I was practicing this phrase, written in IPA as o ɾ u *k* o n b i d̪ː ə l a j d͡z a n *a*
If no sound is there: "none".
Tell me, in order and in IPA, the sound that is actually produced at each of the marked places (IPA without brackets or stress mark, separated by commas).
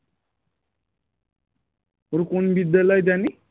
k, i